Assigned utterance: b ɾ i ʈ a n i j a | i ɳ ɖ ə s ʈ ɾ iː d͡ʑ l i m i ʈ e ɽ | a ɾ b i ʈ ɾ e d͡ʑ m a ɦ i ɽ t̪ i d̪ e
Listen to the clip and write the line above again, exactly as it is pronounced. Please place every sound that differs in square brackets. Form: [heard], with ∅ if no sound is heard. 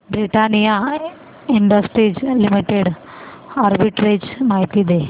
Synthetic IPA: b ɾ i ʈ a n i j a | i ɳ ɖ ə s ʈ ɾ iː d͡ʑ l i m i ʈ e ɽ | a ɾ b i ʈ ɾ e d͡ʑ m a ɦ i [∅] t̪ i d̪ e